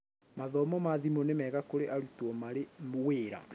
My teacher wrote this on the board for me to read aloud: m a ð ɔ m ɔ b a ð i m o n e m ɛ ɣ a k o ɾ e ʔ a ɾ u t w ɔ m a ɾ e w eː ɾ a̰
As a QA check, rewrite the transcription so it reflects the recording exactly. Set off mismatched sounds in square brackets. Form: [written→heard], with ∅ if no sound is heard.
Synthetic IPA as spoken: m a ð ɔ m ɔ [b→m] a ð i m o n e m ɛ ɣ a k o ɾ e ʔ a ɾ u t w ɔ m a ɾ e w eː ɾ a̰